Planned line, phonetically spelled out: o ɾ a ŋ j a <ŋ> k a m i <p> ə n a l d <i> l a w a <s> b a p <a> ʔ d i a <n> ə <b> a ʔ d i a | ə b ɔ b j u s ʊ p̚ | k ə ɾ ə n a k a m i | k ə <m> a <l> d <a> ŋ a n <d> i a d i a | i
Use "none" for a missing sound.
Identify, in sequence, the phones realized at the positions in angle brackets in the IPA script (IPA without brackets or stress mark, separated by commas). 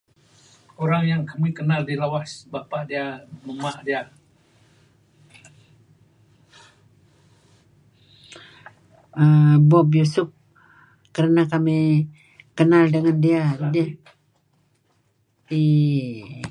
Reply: ŋ, k, i, s, a, m, m, n, l, ə, d